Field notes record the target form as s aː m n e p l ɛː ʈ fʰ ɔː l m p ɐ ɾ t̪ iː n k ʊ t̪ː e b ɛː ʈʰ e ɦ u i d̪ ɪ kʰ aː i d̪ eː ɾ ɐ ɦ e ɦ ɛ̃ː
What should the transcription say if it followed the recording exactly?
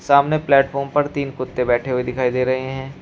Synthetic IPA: s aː m n e p l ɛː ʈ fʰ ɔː ɾ m p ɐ ɾ t̪ iː n k ʊ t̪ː e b ɛː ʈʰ e ɦ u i d̪ ɪ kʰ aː i d̪ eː ɾ ɐ ɦ e ɦ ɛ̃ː